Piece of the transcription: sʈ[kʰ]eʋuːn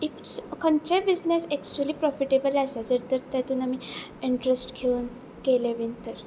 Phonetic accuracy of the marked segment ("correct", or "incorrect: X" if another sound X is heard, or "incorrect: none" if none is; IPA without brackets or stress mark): correct